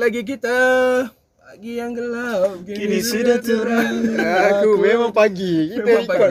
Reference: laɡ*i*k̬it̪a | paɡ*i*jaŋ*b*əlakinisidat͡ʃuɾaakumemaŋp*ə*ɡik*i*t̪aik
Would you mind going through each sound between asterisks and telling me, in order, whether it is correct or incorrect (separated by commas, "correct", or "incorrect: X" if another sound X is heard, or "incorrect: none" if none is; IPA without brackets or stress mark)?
correct, correct, incorrect: ɡ, incorrect: a, correct